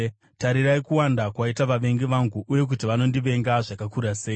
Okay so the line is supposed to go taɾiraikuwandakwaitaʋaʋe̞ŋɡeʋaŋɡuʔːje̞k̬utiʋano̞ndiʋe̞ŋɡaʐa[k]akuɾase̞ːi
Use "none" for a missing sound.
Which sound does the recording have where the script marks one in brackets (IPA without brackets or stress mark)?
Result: k